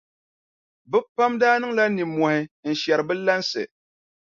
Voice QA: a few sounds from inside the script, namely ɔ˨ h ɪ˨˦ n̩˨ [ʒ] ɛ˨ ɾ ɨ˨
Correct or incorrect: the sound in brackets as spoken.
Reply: incorrect: ʃ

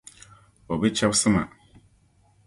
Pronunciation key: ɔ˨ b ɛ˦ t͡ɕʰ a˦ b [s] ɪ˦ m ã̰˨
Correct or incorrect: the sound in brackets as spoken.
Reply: correct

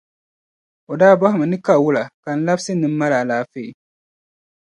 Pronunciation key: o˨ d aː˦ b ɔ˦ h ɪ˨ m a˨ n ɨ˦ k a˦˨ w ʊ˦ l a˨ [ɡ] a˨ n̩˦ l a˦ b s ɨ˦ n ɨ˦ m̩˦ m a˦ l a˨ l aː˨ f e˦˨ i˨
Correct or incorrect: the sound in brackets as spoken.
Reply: incorrect: k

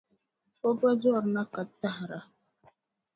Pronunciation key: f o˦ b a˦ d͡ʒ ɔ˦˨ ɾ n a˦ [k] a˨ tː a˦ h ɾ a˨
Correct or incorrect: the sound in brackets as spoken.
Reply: correct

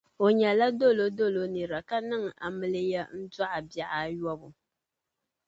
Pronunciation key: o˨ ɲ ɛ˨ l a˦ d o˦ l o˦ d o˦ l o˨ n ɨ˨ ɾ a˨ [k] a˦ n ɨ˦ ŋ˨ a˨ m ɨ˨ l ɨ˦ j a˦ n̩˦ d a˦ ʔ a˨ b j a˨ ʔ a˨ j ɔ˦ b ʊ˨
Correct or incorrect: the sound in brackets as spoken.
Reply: correct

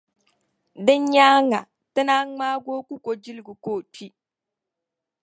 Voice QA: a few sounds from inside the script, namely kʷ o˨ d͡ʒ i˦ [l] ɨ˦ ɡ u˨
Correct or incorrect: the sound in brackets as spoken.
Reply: correct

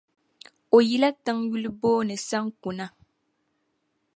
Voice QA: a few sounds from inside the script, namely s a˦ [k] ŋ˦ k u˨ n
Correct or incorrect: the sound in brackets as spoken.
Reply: incorrect: none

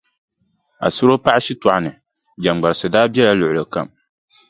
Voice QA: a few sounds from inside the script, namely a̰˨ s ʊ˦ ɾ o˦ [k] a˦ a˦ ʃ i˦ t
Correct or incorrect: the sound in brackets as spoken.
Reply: incorrect: p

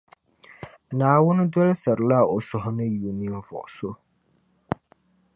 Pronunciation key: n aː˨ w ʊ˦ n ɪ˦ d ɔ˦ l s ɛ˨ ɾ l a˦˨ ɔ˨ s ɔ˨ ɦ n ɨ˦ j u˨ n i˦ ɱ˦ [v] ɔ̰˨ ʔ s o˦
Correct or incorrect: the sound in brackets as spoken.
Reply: correct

